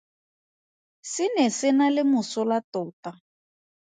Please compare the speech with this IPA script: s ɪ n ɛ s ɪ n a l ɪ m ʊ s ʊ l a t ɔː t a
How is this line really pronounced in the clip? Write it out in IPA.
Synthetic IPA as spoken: s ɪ n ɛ s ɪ n a l ɪ m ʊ s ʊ l a t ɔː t a